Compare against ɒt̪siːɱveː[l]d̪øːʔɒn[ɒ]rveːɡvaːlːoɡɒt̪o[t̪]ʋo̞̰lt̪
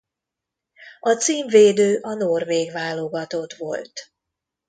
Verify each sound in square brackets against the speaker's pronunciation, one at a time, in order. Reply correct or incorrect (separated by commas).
incorrect, incorrect, correct